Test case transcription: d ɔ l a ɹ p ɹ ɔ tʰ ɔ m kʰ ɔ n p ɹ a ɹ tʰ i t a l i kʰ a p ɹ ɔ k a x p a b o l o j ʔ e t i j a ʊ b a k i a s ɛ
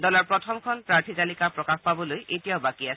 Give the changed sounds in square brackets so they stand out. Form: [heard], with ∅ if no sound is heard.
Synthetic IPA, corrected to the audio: d ɔ l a ɹ p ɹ ɔ tʰ ɔ m kʰ ɔ n p ɹ a ɹ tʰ i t a l i [k] a p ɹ ɔ k a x p a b [ɔ] l o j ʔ e t i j a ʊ b a k i a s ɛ